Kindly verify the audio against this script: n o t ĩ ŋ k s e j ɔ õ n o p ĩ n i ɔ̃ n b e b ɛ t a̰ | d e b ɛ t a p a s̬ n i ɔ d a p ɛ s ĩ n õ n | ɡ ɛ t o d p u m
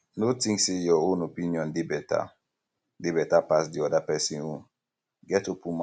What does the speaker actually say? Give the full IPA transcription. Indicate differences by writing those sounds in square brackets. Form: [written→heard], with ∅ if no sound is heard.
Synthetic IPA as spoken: n o t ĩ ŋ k s e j ɔ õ n o p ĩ n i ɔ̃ n [b→d] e b ɛ t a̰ | d e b ɛ t a p a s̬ [n→d] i ɔ d a p ɛ s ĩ n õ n | ɡ ɛ t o [d→∅] p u m